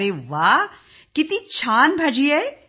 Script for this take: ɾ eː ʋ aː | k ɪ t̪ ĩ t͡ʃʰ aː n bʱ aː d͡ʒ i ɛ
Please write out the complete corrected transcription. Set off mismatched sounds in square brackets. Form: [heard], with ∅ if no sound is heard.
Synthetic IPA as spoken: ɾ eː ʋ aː | k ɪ t̪ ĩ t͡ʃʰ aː n bʱ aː d͡ʒ i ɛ